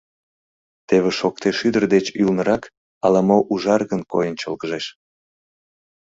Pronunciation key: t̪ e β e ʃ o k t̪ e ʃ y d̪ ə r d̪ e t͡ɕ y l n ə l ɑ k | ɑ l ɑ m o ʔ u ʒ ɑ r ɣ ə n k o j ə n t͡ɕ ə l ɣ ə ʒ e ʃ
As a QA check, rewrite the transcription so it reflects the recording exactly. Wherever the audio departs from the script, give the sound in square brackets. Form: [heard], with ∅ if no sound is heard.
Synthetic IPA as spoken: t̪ e β e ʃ o k t̪ e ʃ y d̪ ə r d̪ e t͡ɕ y l n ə [ɾ] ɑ k | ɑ l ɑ m o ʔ u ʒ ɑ r ɣ ə n k o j ə n t͡ɕ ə l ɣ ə ʒ e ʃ

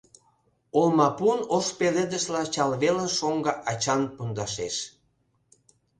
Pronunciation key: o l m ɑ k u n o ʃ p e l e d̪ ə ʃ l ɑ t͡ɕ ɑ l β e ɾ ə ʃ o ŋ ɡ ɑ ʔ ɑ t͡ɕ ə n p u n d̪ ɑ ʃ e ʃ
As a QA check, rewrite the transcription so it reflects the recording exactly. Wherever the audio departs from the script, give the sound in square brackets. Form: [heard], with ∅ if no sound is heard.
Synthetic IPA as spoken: o l m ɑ [p] u n o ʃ p e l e d̪ ə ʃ l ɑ t͡ɕ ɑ l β e [l] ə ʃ o ŋ ɡ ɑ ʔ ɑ t͡ɕ [ɑ] n p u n d̪ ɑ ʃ e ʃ

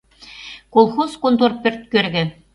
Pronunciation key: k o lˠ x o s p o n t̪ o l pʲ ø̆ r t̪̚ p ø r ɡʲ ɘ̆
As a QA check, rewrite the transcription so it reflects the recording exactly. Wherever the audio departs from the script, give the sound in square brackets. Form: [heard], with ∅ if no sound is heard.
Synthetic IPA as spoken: k o lˠ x o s [k] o n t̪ o [r] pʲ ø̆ r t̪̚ [k] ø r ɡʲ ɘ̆

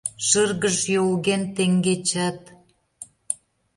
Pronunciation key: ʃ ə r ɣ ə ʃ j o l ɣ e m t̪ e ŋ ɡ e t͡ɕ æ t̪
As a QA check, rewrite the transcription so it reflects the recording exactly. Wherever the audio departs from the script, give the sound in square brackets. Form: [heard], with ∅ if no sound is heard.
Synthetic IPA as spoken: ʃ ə r ɣ ə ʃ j o l ɣ e [n] t̪ e ŋ ɡ e t͡ɕ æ t̪

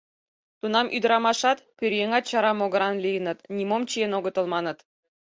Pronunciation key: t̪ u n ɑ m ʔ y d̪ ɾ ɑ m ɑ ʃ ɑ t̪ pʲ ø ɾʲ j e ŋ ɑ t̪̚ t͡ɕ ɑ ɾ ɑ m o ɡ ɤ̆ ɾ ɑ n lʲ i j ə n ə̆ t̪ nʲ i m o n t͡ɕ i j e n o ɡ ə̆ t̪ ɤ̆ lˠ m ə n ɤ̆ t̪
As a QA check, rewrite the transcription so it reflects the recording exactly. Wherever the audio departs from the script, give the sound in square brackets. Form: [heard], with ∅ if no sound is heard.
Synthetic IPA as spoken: t̪ u n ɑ m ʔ y d̪ ɾ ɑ m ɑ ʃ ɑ t̪ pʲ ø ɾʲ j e ŋ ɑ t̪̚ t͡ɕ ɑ ɾ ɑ m o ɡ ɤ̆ ɾ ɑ n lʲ i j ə n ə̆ t̪ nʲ i m o [m] t͡ɕ i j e n o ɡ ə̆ t̪ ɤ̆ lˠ m [ɑ] n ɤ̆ t̪

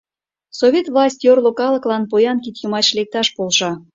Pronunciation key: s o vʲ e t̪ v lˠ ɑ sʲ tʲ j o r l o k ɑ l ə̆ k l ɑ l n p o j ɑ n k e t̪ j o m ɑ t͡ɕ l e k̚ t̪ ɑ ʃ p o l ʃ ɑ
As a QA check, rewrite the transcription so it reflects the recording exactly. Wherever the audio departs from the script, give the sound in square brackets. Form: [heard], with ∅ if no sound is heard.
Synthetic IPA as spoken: s o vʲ e t̪ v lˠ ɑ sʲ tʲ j o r l o k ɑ l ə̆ k l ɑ [∅] n p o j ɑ n k [i] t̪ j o m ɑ t͡ɕ l e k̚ t̪ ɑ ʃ p o l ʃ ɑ

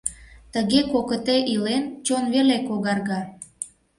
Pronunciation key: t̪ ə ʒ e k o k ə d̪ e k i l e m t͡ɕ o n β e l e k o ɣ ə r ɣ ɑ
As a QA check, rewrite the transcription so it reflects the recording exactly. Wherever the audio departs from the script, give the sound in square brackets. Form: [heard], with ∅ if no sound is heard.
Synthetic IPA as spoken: t̪ ə [ɣ] e k o k ə [t̪] e [ʔ] i l e [n] t͡ɕ o n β e l e k o ɣ [ɑ] r ɣ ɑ

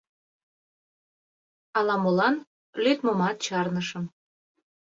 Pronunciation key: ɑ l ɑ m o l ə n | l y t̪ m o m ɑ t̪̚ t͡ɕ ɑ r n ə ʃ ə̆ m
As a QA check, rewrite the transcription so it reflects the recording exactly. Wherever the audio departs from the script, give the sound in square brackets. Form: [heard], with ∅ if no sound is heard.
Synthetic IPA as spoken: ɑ l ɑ m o l [ɑ] n | l y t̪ m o m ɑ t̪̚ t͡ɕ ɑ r n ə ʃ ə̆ m

